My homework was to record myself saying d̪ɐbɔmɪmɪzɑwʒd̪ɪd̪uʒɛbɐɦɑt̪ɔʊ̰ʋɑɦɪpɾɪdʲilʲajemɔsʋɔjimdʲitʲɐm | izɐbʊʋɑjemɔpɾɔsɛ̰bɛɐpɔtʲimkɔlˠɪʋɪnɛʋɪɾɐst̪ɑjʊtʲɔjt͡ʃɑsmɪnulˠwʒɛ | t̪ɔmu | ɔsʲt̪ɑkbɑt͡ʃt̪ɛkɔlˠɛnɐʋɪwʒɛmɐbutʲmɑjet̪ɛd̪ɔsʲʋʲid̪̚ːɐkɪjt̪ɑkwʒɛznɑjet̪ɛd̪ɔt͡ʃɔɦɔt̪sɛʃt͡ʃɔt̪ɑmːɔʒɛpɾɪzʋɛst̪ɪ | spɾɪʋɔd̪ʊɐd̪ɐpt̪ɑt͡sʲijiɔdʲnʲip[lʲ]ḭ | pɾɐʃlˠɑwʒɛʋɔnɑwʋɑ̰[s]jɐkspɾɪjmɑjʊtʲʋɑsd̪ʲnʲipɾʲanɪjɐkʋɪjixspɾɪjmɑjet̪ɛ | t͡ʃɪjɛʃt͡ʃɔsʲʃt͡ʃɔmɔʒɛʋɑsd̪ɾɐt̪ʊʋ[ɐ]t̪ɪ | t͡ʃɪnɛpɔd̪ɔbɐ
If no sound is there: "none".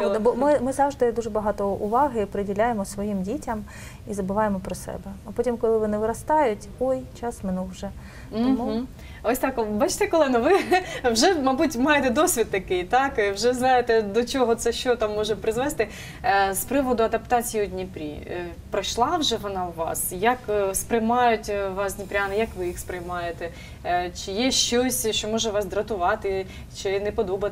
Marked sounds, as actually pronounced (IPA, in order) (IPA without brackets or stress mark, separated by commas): ɾʲ, s, ɑ